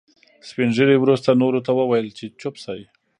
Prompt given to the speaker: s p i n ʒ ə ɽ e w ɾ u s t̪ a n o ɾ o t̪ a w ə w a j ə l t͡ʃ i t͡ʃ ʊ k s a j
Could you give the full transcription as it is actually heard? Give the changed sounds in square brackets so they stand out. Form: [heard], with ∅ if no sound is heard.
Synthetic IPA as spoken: s p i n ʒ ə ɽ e w ɾ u s t̪ a n o ɾ o t̪ a w ə w a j ə l t͡ʃ [e] t͡ʃ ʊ [p] s a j